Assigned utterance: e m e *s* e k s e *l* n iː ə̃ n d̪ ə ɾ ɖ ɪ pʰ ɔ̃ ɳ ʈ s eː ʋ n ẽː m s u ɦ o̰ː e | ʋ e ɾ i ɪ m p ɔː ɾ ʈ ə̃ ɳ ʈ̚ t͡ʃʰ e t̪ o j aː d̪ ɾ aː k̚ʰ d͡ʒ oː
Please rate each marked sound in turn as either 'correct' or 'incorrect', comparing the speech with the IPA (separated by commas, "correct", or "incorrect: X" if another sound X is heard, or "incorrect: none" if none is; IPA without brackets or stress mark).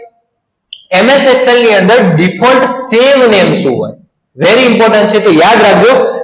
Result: correct, correct